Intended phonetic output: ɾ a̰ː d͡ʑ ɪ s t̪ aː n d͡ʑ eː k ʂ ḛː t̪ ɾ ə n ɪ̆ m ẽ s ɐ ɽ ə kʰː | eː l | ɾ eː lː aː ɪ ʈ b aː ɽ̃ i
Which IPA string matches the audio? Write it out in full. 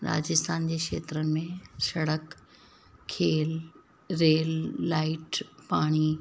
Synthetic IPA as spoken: ɾ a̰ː d͡ʑ ɪ s t̪ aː n d͡ʑ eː k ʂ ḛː t̪ ɾ ə n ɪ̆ m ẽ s ɐ ɽ ə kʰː | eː l | ɾ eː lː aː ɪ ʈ p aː ɽ̃ i